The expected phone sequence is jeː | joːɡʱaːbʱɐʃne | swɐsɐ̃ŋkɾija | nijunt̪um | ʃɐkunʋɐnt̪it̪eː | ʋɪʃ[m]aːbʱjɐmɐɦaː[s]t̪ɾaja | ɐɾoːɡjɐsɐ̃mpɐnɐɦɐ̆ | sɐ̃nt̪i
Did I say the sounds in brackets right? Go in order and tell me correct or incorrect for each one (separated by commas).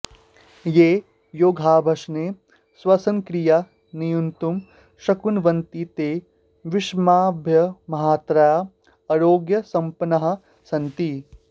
correct, incorrect